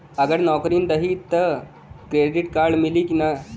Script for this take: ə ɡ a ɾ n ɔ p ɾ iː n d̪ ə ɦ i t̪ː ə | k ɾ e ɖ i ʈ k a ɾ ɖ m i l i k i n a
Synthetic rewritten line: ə ɡ ə ɾ n ɔ k ɾ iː n d̪ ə ɦ i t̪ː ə | k ɾ e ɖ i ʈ k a ɾ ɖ m i l i k i n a